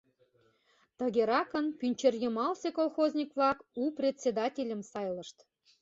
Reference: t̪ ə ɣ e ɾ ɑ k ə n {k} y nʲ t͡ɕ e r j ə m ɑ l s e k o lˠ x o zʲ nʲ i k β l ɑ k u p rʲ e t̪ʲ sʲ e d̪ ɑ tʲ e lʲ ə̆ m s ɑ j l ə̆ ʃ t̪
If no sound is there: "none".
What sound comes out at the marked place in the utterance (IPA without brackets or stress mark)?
p